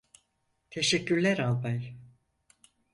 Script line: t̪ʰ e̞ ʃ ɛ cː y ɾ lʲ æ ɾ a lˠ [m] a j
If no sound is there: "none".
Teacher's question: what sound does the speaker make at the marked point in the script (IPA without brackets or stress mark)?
b